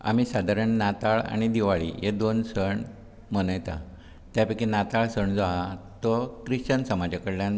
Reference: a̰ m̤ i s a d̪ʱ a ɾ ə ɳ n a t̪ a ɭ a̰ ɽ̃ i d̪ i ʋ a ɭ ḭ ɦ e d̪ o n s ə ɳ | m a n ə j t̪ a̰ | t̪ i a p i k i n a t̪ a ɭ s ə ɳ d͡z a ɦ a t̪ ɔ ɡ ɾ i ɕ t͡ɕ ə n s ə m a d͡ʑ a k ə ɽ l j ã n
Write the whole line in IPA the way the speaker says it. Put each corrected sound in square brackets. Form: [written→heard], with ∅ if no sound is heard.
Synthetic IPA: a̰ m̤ i s a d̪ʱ a ɾ ə ɳ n a t̪ a ɭ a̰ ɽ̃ i d̪ i ʋ a ɭ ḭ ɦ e d̪ o n s ə ɳ | m [a→ə] n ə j t̪ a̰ | t̪ [i→j] a p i k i n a t̪ a ɭ s ə ɳ d͡z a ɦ a t̪ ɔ [ɡ→k] ɾ i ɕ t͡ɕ ə n s ə m a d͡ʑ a k ə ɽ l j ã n